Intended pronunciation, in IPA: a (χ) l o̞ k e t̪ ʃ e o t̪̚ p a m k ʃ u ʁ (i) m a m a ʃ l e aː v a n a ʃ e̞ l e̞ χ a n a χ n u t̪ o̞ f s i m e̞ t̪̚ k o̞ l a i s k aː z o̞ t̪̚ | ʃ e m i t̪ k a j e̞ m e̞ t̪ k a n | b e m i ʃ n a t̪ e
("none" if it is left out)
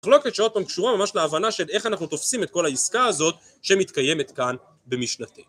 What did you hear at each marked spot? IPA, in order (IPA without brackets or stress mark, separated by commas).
χ, a